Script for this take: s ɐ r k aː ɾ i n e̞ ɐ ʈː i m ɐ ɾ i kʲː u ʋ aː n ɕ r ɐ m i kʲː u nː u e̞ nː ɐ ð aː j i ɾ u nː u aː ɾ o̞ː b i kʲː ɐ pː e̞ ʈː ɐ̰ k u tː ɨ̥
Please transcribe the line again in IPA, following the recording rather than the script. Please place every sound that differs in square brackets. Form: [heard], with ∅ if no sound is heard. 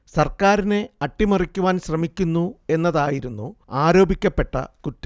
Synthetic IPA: s ɐ r k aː ɾ i n e̞ ɐ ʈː i m ɐ [r] i kʲː u ʋ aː n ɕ r ɐ m i kʲː u nː u e̞ nː ɐ ð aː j i ɾ u nː u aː ɾ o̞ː b i kʲː ɐ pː e̞ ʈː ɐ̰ k u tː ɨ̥